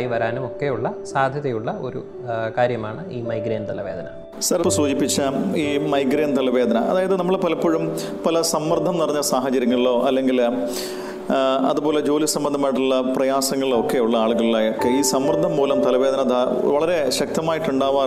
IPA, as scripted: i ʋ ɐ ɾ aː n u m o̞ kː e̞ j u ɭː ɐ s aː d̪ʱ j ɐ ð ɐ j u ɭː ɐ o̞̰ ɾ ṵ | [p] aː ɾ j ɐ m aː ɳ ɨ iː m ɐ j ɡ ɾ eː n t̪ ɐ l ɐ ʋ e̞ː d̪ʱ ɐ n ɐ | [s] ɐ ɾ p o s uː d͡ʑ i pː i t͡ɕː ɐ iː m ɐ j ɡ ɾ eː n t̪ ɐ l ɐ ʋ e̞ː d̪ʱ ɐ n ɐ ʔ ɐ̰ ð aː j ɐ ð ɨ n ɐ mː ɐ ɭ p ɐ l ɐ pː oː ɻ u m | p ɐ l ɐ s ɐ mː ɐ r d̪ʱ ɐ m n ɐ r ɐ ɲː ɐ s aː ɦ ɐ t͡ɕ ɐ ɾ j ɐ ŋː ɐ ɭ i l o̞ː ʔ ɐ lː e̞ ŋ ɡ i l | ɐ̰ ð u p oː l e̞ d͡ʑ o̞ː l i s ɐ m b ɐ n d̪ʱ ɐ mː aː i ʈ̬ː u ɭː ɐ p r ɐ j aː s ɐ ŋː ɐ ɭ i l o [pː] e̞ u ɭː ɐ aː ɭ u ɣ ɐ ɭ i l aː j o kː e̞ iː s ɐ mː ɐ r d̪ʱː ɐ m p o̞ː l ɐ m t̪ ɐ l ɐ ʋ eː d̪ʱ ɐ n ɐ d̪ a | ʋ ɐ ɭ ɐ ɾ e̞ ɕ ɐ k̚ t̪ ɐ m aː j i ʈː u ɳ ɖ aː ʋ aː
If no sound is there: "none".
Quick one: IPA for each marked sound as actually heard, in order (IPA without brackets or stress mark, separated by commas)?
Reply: k, s, kː